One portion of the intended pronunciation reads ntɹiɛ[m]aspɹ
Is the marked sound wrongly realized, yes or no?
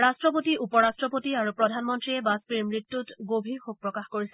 yes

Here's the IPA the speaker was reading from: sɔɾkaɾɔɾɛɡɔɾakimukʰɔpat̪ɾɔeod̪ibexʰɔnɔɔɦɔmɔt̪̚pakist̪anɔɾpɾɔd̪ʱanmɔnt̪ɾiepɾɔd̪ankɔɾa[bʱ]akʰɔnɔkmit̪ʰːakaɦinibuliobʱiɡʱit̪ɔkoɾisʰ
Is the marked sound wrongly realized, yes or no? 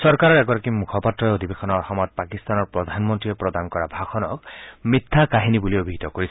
no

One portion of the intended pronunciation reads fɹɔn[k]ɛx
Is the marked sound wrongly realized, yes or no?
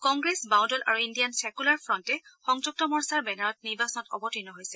yes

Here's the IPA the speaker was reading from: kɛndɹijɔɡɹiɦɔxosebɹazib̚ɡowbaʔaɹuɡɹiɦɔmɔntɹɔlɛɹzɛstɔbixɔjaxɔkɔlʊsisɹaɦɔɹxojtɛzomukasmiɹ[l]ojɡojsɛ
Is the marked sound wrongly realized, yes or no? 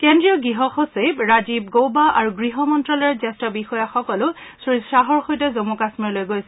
no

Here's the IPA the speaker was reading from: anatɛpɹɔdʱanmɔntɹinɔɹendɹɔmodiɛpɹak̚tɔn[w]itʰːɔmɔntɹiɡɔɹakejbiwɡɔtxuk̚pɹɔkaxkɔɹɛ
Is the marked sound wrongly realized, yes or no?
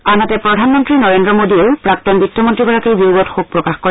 yes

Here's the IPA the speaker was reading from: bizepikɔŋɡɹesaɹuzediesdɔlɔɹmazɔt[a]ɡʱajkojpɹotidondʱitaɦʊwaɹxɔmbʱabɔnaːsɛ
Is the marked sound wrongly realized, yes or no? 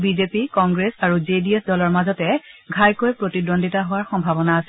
yes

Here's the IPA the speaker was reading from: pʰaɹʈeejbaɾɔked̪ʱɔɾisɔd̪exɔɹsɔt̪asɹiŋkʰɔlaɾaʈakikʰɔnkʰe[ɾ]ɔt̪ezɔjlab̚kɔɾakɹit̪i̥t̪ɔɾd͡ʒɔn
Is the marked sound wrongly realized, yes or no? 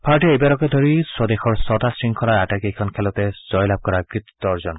yes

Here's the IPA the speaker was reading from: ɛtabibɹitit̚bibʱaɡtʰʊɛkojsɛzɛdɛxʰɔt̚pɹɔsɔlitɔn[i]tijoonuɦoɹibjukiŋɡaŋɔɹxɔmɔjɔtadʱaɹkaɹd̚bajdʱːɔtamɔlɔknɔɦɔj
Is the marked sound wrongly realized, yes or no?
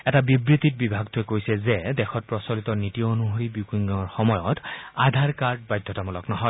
no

